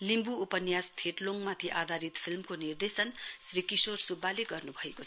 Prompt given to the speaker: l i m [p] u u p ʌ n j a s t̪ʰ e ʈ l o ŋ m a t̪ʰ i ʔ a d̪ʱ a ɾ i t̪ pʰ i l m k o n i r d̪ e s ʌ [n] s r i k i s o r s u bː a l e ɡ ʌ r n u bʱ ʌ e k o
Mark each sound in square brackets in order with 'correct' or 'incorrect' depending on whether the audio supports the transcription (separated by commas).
incorrect, correct